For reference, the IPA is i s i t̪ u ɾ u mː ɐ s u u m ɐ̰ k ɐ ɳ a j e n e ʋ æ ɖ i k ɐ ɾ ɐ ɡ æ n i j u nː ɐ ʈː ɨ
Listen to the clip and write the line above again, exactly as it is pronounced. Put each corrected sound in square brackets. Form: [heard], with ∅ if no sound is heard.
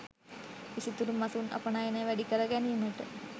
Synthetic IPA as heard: i s i t̪ u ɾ u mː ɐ s u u [n] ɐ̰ [p] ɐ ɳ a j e n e ʋ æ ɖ i k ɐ ɾ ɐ ɡ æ n i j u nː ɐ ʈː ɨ